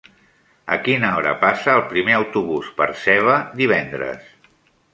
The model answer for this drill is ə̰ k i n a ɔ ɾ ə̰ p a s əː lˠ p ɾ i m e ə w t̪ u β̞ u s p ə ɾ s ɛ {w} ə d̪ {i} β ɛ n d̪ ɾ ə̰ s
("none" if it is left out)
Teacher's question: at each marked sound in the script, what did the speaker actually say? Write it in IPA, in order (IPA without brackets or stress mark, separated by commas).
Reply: β, i